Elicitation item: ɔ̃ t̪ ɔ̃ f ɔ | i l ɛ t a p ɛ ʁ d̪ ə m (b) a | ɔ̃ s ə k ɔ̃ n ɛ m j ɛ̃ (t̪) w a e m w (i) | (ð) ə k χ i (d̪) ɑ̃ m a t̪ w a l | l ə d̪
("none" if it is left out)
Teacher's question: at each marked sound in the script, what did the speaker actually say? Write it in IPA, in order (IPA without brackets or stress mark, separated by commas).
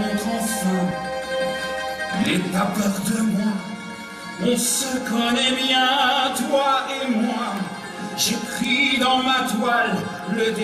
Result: w, t̪, a, ʒ, d̪